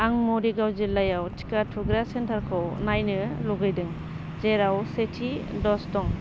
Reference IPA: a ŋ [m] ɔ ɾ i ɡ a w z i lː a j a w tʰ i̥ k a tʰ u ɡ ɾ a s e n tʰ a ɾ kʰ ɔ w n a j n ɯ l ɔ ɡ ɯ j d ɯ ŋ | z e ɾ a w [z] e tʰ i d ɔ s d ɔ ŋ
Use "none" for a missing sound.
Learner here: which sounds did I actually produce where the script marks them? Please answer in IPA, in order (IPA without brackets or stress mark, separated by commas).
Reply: m, s